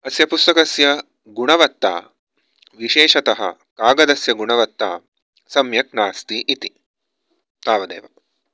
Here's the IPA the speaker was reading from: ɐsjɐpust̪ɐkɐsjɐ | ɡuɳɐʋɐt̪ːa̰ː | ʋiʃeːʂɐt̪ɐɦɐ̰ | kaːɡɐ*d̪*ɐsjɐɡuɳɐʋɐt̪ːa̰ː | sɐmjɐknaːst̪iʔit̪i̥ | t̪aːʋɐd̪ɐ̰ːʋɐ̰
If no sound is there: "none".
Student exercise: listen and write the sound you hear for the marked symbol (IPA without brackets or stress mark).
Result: d̪